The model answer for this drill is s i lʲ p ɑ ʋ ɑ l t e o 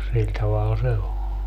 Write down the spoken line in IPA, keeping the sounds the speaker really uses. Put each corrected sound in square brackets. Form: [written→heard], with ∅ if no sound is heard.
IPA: s i lʲ [p→t] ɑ ʋ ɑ l [t→s] e o